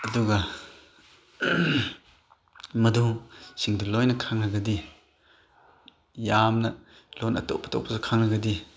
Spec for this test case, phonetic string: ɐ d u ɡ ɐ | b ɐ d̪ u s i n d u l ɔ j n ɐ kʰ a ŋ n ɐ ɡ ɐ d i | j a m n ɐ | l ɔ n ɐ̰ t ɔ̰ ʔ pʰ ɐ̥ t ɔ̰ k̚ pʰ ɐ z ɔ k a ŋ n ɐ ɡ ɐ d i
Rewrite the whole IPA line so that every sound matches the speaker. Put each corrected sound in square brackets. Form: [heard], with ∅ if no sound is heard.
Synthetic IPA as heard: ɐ d u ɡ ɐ | [m] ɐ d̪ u s i [ŋ] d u l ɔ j n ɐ kʰ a ŋ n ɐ ɡ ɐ d i | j a m n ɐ | l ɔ n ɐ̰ t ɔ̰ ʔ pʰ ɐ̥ t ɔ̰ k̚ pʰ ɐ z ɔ [kʰ] a ŋ n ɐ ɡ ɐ d i